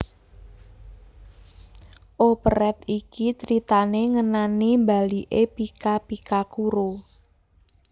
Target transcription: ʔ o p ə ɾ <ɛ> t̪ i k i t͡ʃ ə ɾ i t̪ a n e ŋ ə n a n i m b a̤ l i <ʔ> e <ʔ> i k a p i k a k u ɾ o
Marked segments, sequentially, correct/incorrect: correct, correct, incorrect: p

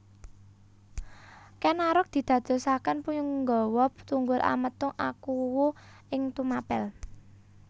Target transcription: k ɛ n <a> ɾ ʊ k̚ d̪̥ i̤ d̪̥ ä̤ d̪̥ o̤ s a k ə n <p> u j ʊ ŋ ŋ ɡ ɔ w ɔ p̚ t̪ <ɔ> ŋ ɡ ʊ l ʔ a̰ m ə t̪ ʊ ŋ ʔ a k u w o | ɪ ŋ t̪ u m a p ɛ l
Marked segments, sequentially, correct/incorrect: correct, correct, incorrect: u

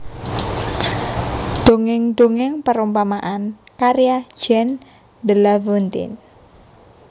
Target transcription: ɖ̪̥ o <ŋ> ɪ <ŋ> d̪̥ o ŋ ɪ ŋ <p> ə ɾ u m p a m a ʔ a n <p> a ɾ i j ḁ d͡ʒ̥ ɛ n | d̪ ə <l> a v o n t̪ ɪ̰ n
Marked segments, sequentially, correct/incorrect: correct, correct, correct, incorrect: k, correct

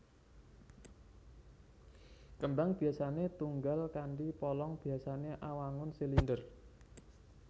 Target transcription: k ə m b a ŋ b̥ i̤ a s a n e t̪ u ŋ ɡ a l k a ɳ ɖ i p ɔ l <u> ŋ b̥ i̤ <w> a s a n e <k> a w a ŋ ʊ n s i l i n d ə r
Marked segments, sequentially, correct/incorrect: incorrect: ɔ, incorrect: none, incorrect: ʔ

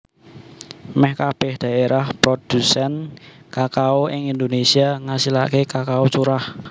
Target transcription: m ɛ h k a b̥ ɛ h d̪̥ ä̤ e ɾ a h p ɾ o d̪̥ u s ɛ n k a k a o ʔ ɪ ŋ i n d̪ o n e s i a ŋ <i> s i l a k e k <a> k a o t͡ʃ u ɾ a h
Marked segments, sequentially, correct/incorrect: incorrect: a, correct

